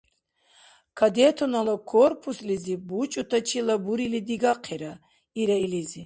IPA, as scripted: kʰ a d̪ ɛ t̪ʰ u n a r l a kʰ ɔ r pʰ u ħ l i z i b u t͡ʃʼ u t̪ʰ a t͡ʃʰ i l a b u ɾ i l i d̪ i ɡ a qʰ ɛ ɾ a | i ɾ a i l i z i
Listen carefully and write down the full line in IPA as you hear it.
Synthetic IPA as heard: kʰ a d̪ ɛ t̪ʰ ɔ n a l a kʰ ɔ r pʰ u s l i z i b u t͡ʃʼ u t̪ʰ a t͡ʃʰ i l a b u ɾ i l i d̪ i ɡ a qʰ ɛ ɾ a | i ɾ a i l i z i